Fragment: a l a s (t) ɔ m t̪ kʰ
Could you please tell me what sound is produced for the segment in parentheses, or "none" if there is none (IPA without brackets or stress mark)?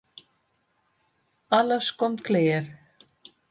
k